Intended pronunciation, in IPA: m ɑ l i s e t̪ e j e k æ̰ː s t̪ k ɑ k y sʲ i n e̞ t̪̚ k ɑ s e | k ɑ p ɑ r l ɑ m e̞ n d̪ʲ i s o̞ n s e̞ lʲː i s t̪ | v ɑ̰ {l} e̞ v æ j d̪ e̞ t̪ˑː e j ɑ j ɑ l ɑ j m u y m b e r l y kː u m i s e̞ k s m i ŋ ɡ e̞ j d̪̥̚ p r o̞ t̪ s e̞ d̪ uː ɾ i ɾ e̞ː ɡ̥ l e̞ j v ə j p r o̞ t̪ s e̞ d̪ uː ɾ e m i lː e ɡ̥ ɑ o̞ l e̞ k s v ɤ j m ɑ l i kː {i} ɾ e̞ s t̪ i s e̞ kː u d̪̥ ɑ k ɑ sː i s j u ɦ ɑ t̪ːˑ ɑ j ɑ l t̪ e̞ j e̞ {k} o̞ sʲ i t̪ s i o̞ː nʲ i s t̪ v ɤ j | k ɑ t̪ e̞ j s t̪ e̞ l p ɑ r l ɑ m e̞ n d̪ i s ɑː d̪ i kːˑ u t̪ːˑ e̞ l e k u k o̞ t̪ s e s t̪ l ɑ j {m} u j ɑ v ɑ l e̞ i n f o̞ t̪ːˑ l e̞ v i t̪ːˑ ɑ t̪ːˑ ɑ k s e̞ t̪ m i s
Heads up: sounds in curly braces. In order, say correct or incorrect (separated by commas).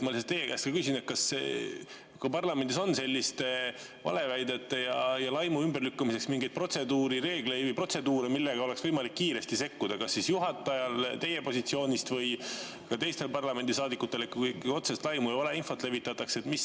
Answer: correct, incorrect, incorrect, correct